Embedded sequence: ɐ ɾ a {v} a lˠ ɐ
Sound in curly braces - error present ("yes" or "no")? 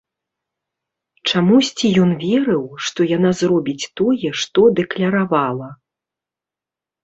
no